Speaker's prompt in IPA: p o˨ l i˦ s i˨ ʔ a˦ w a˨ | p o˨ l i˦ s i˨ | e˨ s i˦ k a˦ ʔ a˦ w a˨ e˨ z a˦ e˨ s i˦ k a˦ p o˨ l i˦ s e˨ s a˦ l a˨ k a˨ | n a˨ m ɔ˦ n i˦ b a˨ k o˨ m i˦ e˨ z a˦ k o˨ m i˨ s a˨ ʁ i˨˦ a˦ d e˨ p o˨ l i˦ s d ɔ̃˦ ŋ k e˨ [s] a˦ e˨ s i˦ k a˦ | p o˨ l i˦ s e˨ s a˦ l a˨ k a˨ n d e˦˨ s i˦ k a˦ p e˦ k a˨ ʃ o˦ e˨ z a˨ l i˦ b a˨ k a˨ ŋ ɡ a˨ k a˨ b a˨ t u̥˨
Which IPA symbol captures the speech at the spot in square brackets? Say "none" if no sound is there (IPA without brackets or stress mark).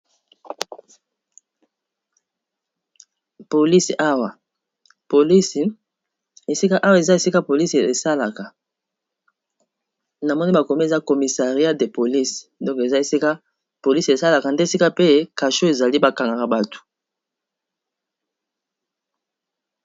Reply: z